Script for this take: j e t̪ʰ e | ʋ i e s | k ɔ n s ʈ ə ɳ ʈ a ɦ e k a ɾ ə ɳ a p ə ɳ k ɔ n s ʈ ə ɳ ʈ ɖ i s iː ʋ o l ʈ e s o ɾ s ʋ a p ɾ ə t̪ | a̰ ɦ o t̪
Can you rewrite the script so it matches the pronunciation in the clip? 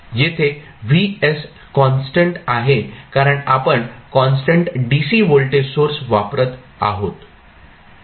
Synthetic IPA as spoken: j e t̪ʰ e | ʋ i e s | k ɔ n s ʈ ə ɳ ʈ a ɦ e k a ɾ ə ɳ a p ə ɳ k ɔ n s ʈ ə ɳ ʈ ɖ i s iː ʋ o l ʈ e s o ɾ s ʋ a p ɾ ə t̪ | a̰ ɦ o t̪